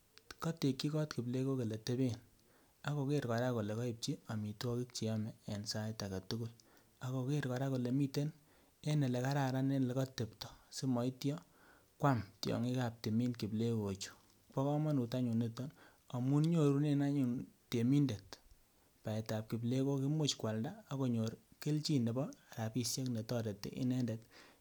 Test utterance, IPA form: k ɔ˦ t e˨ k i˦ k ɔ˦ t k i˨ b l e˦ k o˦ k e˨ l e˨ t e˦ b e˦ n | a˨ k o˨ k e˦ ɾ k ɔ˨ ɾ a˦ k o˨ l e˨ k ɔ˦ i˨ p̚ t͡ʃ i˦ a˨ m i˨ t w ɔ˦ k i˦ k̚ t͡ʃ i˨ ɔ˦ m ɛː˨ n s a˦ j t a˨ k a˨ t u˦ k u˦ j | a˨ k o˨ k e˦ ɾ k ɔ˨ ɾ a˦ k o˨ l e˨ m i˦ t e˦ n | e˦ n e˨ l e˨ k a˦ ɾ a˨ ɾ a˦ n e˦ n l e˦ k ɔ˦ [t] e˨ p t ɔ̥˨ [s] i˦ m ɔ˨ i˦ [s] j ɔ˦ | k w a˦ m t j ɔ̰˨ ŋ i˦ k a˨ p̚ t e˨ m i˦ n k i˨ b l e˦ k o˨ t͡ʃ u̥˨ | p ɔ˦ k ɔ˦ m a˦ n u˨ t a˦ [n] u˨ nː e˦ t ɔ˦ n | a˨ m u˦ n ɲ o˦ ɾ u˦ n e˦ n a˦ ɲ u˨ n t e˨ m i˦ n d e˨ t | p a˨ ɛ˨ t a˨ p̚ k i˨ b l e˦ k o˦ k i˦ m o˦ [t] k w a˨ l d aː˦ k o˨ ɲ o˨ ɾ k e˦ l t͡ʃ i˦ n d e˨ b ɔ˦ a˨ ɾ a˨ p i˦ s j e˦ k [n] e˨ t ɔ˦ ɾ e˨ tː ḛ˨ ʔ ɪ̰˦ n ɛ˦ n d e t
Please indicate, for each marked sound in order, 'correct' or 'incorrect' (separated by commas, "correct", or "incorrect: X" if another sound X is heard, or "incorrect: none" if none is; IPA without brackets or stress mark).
correct, correct, incorrect: t, incorrect: ɲ, incorrect: t͡ʃ, correct